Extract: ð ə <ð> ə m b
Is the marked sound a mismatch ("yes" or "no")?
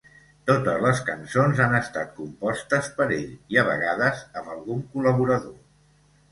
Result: yes